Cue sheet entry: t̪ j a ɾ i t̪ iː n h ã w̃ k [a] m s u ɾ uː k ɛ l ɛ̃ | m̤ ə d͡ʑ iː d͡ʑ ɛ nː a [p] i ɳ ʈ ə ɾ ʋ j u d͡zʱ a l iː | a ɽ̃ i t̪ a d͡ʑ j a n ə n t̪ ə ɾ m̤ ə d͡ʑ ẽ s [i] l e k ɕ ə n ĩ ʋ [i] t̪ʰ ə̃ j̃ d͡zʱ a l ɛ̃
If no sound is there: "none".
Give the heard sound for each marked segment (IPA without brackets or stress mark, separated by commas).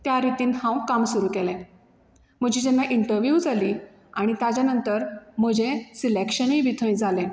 a, ʔ, i, i